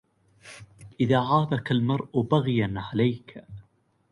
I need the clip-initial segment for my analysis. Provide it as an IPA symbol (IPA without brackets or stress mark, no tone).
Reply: ʔ